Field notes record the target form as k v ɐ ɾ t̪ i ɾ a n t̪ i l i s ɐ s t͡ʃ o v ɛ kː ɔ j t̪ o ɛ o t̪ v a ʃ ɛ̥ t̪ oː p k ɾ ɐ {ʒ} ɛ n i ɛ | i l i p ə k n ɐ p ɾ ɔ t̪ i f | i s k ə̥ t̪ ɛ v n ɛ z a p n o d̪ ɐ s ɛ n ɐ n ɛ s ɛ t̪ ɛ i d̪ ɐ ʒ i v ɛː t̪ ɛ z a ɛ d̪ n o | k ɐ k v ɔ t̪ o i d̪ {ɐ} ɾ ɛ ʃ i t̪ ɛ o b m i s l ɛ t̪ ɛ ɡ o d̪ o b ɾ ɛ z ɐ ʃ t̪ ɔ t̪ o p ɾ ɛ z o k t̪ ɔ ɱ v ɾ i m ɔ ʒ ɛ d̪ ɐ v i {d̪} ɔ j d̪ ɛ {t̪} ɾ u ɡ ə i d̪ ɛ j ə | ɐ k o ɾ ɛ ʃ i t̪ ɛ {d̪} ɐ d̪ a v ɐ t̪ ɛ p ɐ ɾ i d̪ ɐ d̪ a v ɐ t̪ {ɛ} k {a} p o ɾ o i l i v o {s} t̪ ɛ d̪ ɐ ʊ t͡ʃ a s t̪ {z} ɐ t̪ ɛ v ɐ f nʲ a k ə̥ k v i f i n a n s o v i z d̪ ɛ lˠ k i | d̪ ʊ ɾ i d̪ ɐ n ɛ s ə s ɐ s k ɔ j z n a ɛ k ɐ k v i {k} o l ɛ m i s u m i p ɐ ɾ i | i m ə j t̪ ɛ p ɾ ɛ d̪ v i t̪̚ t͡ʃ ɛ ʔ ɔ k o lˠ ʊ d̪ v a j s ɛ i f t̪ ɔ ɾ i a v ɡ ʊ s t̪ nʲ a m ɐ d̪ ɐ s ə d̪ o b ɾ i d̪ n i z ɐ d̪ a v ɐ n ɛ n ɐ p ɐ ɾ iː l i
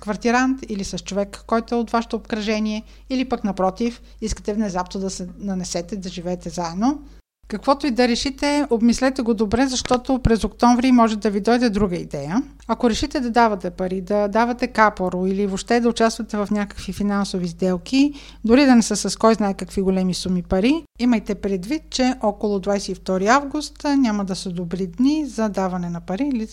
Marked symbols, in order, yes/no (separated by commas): yes, yes, yes, no, yes, yes, yes, no, no, no